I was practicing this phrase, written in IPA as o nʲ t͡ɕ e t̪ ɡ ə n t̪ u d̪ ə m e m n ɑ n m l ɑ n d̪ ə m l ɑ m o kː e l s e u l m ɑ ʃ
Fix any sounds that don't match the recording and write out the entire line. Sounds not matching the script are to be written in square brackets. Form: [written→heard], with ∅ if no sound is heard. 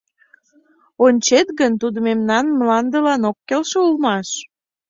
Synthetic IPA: o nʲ t͡ɕ e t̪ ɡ ə n t̪ u d̪ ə m e m n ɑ n m l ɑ n d̪ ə [m→∅] l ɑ [m→n] o kː e l [s→ʃ] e u l m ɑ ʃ

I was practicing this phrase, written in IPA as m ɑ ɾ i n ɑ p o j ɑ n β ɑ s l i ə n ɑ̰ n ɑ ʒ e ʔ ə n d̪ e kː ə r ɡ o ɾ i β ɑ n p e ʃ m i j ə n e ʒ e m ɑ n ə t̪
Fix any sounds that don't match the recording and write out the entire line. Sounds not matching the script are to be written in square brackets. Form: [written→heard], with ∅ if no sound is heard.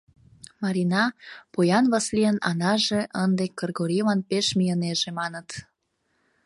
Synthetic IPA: m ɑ ɾ i n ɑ p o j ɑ n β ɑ s l i ə n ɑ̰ n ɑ ʒ e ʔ ə n d̪ e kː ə r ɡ o ɾ i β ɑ n p e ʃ m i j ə n e ʒ e m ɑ n ə t̪

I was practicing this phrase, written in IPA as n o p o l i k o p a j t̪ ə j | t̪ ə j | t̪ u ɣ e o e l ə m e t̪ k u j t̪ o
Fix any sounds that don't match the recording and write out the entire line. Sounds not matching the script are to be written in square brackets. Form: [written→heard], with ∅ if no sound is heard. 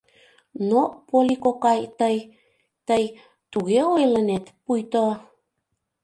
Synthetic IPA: n o p o l i k o [p→k] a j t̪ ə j | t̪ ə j | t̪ u ɣ e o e l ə [m→n] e t̪ [k→p] u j t̪ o

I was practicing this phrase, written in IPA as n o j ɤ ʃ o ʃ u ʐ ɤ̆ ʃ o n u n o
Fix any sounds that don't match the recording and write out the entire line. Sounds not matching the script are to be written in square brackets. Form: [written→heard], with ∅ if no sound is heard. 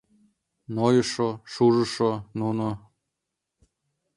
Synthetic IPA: n o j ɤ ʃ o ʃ u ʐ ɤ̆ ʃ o n u n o

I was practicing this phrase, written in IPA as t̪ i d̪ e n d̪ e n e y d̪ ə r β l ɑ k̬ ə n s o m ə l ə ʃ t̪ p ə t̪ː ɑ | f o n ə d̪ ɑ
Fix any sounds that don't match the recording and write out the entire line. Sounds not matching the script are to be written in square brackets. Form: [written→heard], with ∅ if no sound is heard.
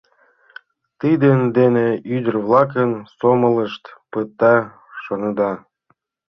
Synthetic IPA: t̪ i d̪ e n d̪ e n e y d̪ ə r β l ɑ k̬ ə n s o m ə l ə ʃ t̪ p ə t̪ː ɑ | [f→ʃ] o n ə d̪ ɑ

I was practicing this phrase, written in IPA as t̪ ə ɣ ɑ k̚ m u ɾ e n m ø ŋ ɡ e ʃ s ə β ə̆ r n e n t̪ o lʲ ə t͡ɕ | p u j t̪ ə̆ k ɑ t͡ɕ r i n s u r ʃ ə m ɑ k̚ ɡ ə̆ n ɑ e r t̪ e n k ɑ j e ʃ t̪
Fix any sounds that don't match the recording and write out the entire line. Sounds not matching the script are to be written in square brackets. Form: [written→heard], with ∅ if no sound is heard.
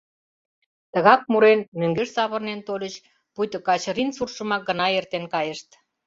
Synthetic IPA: t̪ ə ɣ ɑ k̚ m u ɾ e n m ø ŋ ɡ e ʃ s [ə→ɑ] β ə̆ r n e n t̪ o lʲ ə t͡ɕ | p u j t̪ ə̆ k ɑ t͡ɕ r i n s u r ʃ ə m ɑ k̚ ɡ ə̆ n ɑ e r t̪ e n k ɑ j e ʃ t̪

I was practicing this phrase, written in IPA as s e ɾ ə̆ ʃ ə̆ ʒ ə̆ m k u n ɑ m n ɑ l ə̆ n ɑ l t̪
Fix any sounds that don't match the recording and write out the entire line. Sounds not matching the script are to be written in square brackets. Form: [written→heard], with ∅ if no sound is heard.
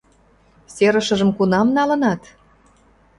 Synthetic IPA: s e ɾ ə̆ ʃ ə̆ ʒ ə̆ m k u n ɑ m n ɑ l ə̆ n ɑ [l→∅] t̪

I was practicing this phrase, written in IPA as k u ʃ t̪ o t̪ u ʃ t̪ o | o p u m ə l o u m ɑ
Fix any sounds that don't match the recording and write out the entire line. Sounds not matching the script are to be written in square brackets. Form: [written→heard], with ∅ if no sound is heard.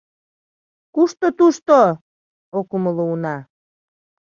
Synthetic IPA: k u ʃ t̪ o t̪ u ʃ t̪ o | o [p→k] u m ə l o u [m→n] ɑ

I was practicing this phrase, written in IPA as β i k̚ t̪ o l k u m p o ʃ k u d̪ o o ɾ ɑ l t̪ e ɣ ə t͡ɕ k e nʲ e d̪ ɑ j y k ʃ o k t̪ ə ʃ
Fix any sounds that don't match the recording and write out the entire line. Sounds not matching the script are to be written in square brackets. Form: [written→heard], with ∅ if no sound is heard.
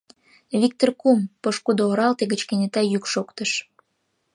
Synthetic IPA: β i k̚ t̪ o [l→r] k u m p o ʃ k u d̪ o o ɾ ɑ l t̪ e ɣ ə t͡ɕ k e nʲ e [d̪→t̪] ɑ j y k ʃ o k t̪ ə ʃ

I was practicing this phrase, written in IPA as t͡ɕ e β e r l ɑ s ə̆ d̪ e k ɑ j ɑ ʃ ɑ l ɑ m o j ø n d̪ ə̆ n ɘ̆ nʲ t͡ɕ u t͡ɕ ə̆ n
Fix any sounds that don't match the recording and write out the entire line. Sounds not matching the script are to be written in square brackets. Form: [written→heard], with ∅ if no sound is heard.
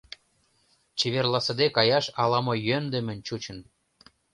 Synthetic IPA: t͡ɕ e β e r l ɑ s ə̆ d̪ e k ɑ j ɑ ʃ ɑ l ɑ m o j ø n d̪ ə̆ [n→m] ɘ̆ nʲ t͡ɕ u t͡ɕ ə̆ n

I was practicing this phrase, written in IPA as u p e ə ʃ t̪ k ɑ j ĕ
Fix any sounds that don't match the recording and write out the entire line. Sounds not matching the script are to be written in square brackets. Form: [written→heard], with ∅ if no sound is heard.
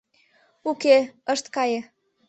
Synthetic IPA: u [p→k] e ə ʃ t̪ k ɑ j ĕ

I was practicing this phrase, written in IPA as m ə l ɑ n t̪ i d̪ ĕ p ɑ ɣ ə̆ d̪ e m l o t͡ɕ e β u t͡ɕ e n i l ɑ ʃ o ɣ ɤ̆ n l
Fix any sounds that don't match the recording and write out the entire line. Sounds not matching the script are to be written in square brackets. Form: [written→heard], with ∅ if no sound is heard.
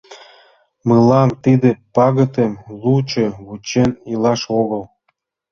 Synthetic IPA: m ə l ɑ n t̪ i d̪ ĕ p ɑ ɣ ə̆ [d̪→t̪] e m l [o→u] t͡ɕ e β u t͡ɕ e n i l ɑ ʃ o ɣ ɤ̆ [n→∅] l

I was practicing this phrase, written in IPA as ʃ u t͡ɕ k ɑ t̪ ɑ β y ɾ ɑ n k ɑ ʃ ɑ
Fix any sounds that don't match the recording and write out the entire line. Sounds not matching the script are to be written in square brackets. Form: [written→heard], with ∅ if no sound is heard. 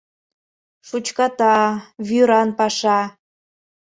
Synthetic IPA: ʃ u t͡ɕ k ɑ t̪ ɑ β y ɾ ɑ n [k→p] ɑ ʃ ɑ

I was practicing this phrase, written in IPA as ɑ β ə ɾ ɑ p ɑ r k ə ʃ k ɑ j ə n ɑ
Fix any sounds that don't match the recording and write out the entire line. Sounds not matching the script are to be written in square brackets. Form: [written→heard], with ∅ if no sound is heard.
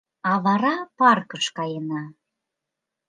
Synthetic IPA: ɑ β [ə→ɑ] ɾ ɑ p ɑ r k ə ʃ k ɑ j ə n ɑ

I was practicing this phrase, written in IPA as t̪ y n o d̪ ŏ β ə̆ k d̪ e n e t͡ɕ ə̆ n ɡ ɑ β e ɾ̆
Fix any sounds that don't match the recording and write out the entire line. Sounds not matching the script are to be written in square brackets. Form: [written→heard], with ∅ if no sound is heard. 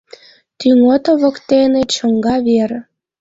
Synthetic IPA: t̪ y [n→ŋ] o [d̪→t̪] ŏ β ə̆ k [d̪→t̪] e n e t͡ɕ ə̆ [n→ŋ] ɡ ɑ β e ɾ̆

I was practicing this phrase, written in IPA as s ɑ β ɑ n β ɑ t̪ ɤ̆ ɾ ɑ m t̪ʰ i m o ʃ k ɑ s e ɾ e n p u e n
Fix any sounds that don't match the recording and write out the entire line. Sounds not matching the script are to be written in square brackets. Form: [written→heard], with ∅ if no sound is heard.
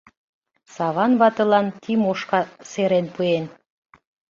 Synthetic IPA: s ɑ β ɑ n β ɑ t̪ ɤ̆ [ɾ→l] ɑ [m→n] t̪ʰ i m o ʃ k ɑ s e ɾ e n p u e n

